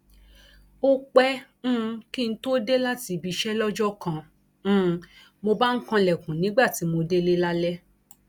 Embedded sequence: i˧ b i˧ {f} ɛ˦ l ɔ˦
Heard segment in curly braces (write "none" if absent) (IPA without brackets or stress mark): ʃ